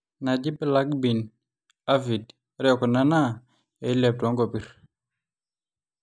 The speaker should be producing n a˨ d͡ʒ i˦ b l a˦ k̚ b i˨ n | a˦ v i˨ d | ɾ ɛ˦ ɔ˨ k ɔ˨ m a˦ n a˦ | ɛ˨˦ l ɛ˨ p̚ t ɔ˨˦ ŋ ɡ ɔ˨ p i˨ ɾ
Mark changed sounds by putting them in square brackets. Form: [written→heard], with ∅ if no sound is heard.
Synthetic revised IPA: n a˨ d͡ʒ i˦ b l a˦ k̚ b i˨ n | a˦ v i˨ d | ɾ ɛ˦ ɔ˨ k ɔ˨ [m→n] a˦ n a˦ | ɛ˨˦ l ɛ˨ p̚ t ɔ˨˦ ŋ ɡ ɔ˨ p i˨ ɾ

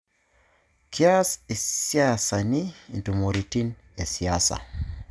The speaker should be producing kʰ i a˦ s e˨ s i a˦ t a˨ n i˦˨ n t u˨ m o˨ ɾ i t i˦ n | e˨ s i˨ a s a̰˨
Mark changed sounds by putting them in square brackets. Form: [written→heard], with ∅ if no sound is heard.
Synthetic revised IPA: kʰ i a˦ s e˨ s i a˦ [t→s] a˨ n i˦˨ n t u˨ m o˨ ɾ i t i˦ n | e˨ s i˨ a s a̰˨

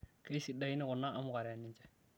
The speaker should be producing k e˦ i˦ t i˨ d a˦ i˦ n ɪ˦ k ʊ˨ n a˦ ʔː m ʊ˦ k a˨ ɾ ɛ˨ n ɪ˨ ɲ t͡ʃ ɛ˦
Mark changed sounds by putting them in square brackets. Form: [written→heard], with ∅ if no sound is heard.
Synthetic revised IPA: k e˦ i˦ [t→s] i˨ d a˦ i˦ n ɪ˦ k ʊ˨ n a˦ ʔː m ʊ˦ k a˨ ɾ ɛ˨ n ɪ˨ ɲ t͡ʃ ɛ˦

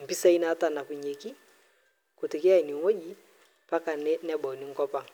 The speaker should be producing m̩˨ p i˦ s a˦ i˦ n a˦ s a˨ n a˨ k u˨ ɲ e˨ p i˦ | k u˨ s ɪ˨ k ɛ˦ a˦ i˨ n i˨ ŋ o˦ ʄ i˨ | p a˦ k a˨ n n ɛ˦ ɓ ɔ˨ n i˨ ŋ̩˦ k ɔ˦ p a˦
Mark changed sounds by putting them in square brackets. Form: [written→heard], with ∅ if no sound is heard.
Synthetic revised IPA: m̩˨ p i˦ s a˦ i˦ n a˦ [s→t] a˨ n a˨ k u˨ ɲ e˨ [p→k] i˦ | k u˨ [s→t] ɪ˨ k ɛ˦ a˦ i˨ n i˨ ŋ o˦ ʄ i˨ | p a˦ k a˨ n n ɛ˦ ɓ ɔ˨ n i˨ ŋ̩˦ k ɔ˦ p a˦

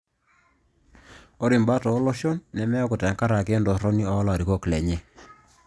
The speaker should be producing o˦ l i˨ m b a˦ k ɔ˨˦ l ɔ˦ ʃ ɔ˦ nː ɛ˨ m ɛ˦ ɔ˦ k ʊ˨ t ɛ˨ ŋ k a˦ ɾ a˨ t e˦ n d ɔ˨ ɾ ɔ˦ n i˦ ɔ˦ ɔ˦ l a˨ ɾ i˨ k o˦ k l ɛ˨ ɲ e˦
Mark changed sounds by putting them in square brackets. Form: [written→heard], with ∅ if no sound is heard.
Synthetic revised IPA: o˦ [l→ɾ] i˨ m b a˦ [k→t] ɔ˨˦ l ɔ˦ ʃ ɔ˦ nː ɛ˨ m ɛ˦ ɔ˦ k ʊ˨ t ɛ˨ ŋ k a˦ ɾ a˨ [t→k] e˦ n d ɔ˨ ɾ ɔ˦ n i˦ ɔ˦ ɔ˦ l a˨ ɾ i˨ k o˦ k l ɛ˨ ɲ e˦

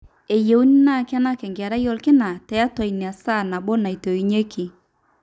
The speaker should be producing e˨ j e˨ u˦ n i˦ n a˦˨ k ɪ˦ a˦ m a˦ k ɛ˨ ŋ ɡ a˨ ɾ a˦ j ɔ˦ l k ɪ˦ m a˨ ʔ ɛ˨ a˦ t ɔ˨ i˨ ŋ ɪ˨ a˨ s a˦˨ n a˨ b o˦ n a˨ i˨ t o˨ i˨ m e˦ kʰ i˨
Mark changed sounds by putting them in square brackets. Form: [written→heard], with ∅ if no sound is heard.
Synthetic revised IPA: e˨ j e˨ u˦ n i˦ n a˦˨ k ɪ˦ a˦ [m→n] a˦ k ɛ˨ ŋ ɡ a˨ ɾ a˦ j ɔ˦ l k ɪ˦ [m→n] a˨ [ʔ→t] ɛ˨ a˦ t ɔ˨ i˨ [ŋ→n] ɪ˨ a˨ s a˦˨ n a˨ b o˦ n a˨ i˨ t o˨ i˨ [m→ɲ] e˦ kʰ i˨

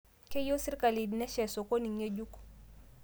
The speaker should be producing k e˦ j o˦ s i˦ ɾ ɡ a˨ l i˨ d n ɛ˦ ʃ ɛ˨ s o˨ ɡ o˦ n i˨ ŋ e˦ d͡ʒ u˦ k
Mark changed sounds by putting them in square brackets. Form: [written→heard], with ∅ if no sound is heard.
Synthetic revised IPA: k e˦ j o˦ s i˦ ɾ [ɡ→k] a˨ l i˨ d n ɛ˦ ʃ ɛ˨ s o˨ [ɡ→k] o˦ n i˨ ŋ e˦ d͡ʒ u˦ k

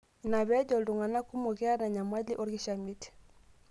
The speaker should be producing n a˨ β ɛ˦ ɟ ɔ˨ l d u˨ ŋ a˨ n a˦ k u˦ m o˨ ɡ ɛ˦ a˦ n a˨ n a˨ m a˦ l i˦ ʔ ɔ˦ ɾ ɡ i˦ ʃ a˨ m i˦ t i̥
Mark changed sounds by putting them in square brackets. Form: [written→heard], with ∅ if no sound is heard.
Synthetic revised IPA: n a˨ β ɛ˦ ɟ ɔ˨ l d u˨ ŋ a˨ n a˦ k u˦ m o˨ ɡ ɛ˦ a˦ n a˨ [n→ɲ] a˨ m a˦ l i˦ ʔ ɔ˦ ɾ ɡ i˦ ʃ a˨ m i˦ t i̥

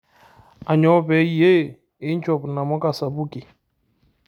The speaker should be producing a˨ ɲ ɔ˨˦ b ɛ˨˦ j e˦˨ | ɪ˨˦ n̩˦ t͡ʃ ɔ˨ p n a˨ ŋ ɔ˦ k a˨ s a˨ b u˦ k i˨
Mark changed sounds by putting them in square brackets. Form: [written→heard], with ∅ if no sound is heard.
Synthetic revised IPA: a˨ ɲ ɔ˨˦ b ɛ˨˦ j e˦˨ | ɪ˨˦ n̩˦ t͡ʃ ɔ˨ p n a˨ [ŋ→m] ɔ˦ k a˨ s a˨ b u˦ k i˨

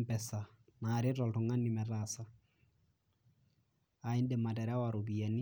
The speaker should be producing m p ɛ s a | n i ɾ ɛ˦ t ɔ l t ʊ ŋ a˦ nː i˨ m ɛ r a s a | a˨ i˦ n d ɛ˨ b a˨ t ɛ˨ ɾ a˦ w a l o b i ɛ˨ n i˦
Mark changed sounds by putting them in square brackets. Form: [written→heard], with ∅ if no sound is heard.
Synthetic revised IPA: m p ɛ s a | n [i→a] ɾ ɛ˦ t ɔ l t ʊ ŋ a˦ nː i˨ m ɛ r a s a | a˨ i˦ n d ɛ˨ [b→m] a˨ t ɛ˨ ɾ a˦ w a [l→ɾ] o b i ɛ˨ n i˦

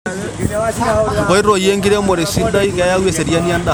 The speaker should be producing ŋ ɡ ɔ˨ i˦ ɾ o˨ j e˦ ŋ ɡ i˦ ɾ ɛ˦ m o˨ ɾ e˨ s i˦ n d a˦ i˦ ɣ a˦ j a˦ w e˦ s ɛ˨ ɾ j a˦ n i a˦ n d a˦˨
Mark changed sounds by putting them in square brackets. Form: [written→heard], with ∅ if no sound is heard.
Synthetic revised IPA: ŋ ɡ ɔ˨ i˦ ɾ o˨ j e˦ ŋ ɡ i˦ ɾ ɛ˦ m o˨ ɾ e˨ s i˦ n d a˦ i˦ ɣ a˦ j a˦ w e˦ s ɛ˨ ɾ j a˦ n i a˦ n d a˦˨

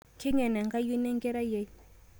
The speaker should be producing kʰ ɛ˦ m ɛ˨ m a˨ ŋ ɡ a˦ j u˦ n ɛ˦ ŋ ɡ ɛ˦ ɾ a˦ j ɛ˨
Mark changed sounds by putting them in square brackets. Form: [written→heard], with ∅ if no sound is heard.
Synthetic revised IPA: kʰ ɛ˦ [m→ɲ] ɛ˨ [m→n] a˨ ŋ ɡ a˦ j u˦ n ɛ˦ ŋ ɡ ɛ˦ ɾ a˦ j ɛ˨

